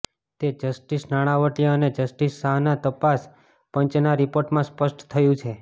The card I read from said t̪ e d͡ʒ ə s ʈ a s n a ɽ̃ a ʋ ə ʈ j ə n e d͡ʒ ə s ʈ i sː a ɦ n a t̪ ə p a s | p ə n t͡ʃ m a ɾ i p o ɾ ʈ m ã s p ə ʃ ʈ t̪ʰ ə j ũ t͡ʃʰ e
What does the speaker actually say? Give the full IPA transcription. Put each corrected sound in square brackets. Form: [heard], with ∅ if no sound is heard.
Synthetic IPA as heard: t̪ e d͡ʒ ə s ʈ [i] s n a ɽ̃ a ʋ ə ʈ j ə n e d͡ʒ ə s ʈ i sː a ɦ n a t̪ ə p a s | p ə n t͡ʃ [n] a ɾ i p o ɾ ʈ m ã s p ə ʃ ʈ t̪ʰ ə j ũ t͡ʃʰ e

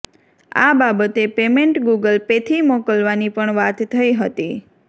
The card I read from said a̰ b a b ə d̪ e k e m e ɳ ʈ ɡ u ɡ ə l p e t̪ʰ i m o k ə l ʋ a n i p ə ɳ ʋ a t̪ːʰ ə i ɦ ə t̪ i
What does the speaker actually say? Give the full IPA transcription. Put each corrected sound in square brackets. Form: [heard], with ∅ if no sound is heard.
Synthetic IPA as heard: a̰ b a b ə [t̪] e [p] e m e ɳ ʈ ɡ u ɡ ə l p e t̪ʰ i m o k ə l ʋ a n i p ə ɳ ʋ a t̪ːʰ ə i ɦ ə t̪ i

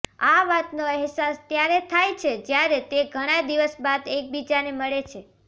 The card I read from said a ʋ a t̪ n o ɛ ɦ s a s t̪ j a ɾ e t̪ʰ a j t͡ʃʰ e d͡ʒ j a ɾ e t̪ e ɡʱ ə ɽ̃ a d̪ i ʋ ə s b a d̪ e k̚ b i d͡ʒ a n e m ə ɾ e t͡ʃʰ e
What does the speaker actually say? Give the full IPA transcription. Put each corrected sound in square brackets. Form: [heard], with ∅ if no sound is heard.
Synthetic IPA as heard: a ʋ a t̪ n o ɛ ɦ s a s t̪ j a ɾ e t̪ʰ a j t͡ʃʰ e d͡ʒ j a ɾ e t̪ e ɡʱ ə ɽ̃ a d̪ i ʋ ə s b a d̪ e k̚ b i d͡ʒ a n e m ə [ɭ] e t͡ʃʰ e

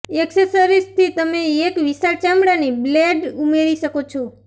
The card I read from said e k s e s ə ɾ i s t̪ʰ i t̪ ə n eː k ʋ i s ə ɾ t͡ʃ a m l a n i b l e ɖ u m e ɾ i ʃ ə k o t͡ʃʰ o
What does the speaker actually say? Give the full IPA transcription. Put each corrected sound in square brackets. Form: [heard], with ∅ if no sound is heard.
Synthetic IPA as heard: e k s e s ə ɾ i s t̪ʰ i t̪ ə [m] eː k ʋ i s [a] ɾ t͡ʃ a m [ɽ] a n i b l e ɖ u m e ɾ i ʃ ə k o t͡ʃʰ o

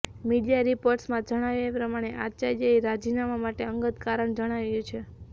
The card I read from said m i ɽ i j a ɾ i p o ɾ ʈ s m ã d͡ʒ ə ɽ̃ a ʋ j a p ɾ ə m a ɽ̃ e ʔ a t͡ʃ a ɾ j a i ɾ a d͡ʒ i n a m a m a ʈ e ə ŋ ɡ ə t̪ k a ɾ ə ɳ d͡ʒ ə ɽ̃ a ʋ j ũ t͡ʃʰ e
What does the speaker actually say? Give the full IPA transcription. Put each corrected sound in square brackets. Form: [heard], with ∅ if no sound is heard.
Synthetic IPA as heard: m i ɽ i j a ɾ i p o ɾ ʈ s m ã d͡ʒ ə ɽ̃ a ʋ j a p ɾ ə m a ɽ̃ e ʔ a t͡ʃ a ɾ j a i ɾ a d͡ʒ i n a m a m a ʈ e ə ŋ ɡ ə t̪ k a ɾ ə ɳ d͡ʒ ə ɽ̃ a ʋ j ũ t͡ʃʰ e

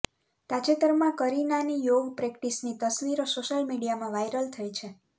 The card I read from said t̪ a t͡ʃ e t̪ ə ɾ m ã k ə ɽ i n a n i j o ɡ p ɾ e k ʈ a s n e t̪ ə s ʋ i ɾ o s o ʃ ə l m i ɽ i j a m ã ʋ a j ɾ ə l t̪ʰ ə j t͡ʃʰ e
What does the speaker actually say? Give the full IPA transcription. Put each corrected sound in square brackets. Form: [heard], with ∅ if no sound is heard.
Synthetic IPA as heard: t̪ a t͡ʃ e t̪ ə ɾ m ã k ə [ɾ] i n a n i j o ɡ p ɾ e k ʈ [i] s n [i] t̪ ə s ʋ i ɾ o s o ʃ ə l m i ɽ i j a m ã ʋ a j ɾ ə l t̪ʰ ə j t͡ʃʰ e

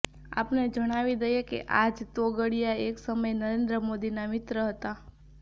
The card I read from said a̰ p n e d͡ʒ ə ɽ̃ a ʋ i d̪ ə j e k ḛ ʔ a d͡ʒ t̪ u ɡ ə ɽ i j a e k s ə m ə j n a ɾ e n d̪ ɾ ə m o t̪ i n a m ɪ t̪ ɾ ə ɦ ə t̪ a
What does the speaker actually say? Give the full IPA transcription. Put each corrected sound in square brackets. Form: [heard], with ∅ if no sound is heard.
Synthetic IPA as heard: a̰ p n e d͡ʒ ə ɽ̃ a ʋ i d̪ ə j e k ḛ ʔ a d͡ʒ t̪ [o] ɡ ə ɽ i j a e k s ə m ə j n [ə] ɾ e n d̪ ɾ ə m o [d̪] i n a m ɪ t̪ ɾ ə ɦ ə t̪ a

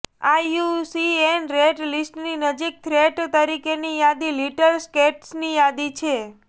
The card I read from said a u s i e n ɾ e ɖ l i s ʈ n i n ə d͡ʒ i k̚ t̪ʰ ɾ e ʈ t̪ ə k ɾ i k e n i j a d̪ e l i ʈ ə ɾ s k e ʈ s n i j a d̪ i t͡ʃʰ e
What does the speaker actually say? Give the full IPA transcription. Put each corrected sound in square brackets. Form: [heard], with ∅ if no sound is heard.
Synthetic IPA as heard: a u s i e n ɾ e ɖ l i s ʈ n i n ə d͡ʒ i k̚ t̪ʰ ɾ e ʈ t̪ ə [∅] ɾ i k e n i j a d̪ [i] l i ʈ ə ɾ s k e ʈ s n i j a d̪ i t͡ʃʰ e

